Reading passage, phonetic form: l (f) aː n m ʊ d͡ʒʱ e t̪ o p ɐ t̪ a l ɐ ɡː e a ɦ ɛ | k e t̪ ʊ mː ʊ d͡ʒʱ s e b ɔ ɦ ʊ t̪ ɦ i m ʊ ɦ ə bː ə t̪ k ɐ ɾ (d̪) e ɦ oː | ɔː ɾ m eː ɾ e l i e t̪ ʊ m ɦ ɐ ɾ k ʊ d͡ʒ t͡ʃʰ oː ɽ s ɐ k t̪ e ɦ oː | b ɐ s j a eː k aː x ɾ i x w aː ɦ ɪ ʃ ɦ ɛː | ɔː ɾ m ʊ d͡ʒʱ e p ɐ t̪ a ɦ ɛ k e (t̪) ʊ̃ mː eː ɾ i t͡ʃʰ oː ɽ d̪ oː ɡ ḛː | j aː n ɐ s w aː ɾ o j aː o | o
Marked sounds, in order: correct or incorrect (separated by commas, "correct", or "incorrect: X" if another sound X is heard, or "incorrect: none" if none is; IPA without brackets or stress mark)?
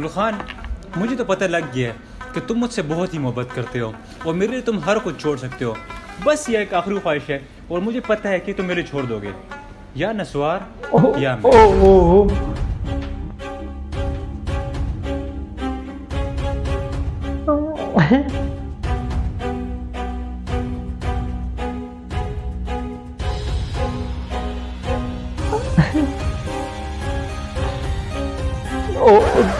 incorrect: x, incorrect: t̪, correct